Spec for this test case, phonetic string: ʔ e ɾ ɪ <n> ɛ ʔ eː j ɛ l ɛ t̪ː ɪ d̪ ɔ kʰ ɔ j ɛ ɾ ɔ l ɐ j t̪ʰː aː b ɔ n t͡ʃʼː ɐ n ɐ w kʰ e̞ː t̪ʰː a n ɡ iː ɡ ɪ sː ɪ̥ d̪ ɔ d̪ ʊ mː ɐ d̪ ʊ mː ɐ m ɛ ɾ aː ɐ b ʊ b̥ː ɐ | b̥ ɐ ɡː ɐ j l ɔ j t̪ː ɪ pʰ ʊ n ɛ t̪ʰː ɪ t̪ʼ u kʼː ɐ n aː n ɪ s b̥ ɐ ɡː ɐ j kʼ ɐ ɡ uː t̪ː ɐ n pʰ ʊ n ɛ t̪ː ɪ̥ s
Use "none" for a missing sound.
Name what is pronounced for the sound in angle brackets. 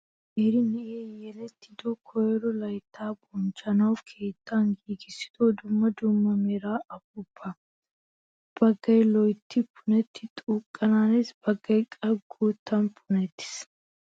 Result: n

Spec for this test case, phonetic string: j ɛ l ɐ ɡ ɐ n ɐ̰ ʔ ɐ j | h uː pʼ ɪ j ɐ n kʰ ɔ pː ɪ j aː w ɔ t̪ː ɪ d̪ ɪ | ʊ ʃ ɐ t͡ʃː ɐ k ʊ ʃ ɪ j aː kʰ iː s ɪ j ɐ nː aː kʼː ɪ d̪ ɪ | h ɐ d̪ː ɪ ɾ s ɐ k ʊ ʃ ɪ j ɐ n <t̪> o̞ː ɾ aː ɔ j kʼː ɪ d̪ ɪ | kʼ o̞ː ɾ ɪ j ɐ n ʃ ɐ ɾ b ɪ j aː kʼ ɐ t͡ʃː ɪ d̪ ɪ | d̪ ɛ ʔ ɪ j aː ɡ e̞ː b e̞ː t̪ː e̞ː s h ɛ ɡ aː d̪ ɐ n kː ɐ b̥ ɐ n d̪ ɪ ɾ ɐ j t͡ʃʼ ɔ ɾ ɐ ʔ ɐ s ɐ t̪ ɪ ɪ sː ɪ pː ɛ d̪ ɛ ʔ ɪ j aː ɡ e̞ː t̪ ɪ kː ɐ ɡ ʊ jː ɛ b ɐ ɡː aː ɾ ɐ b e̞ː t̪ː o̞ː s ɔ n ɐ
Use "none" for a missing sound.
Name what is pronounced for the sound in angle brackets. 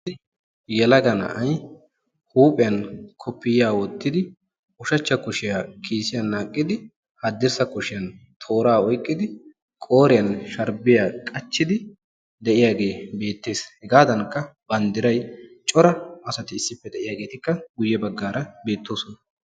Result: t̪ʰ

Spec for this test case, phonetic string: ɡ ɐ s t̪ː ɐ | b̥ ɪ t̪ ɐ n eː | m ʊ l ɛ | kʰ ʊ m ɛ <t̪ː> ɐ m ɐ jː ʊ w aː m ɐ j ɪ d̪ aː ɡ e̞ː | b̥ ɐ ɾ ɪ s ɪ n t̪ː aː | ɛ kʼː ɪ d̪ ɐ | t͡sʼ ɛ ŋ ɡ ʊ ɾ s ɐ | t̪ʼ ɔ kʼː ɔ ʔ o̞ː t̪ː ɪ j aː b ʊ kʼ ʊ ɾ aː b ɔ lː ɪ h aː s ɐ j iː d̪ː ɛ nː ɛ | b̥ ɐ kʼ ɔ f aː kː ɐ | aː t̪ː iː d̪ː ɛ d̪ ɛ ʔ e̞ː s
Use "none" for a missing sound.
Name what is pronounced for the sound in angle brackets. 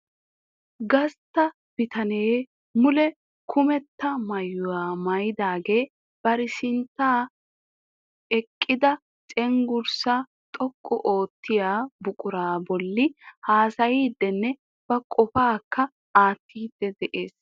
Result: t̪ː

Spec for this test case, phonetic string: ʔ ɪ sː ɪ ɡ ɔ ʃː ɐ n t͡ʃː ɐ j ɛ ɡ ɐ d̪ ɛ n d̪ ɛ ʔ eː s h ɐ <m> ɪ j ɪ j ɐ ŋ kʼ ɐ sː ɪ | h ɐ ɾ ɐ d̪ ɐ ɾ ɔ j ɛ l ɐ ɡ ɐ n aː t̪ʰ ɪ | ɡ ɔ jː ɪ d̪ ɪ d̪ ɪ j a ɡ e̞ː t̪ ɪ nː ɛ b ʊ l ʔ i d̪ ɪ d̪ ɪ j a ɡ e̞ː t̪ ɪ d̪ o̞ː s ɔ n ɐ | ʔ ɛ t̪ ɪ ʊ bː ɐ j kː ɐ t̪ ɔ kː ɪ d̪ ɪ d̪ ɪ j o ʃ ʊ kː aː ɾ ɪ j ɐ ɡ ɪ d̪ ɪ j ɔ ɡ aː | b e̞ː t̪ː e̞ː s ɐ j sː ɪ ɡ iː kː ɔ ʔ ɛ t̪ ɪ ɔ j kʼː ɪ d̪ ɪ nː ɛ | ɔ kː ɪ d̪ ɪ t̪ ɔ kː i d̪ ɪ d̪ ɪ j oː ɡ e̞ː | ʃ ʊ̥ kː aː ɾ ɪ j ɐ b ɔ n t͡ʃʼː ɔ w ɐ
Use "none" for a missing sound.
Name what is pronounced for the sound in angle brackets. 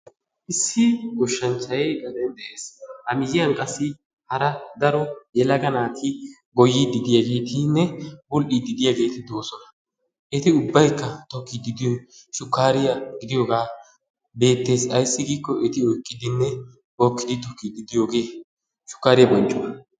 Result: m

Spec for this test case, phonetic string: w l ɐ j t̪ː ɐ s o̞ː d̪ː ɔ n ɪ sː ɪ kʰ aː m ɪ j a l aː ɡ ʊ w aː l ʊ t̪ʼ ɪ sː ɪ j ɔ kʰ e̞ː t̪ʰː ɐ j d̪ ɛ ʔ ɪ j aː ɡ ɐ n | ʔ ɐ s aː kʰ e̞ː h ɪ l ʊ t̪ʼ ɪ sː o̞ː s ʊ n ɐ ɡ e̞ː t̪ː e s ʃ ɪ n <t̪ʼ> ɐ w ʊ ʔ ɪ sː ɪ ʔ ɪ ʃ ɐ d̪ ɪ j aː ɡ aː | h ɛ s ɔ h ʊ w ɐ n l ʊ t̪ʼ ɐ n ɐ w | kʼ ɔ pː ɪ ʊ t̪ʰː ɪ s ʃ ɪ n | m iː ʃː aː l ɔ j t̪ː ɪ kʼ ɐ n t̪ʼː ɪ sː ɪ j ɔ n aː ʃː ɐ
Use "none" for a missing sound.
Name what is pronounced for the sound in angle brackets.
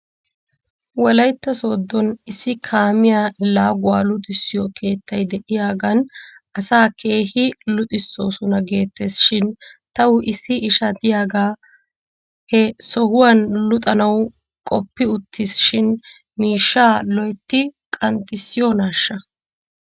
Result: t̪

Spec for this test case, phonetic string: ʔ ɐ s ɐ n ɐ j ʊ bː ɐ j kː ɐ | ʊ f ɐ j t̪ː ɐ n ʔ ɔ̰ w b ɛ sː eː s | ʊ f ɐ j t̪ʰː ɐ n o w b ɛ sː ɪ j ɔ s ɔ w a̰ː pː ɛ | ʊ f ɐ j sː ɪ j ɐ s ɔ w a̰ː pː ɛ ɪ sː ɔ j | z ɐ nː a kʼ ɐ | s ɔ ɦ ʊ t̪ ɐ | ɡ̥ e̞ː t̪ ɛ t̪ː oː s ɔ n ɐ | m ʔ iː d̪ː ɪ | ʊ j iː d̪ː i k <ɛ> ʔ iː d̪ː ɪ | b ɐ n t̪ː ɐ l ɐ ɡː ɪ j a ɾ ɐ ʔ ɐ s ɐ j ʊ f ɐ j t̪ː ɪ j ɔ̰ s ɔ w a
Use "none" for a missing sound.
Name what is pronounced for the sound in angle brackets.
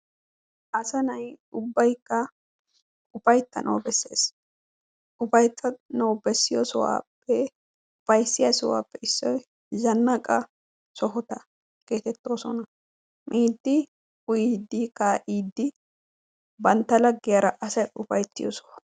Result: a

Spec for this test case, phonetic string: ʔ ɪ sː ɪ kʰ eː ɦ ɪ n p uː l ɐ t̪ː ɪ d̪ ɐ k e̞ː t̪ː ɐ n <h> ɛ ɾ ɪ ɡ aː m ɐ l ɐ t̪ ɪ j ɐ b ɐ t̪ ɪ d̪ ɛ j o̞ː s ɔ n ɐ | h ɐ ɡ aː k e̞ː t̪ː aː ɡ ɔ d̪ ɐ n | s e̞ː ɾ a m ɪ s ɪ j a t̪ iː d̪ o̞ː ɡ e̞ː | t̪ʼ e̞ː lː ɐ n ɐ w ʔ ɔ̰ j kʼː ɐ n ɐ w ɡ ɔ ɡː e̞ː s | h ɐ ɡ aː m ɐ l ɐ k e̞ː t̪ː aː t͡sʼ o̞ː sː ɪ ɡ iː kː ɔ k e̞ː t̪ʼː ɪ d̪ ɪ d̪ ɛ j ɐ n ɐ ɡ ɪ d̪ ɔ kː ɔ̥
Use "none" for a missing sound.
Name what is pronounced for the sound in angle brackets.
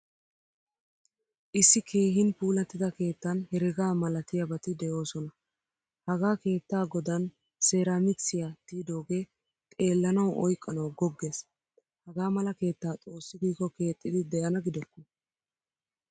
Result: h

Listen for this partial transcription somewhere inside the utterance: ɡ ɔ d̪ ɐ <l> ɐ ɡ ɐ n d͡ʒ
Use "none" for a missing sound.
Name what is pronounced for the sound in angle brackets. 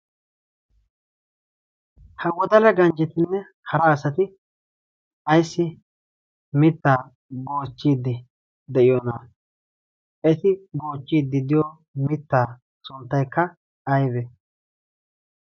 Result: l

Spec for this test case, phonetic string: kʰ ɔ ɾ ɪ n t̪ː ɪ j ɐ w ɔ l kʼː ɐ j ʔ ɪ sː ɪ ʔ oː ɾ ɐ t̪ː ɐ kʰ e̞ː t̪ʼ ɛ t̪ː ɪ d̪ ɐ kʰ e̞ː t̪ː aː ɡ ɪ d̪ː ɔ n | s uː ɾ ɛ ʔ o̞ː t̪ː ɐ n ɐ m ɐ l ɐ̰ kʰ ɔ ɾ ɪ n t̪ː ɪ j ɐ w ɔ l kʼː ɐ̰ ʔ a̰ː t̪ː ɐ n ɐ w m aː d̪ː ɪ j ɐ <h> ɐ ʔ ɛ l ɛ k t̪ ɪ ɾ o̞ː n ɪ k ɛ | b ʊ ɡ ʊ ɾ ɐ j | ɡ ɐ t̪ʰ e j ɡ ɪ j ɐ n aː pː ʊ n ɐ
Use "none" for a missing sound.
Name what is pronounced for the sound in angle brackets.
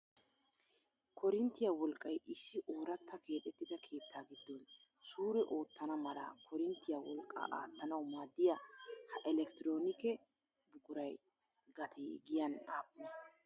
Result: h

